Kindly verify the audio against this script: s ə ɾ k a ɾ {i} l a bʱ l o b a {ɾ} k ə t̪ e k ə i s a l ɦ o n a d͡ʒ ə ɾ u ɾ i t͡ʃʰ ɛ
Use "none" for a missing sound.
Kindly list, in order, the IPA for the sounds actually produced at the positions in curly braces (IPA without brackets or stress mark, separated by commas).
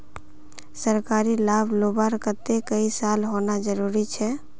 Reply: i, ɾ